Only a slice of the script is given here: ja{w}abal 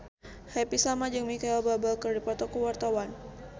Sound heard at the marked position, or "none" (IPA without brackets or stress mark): b